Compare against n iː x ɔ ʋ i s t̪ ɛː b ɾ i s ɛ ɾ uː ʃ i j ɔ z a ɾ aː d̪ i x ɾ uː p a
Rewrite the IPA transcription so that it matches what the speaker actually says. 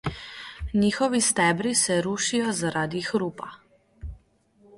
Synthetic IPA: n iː x ɔ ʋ i s t̪ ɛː b ɾ i s ɛ ɾ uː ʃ i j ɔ z a ɾ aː d̪ i x ɾ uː p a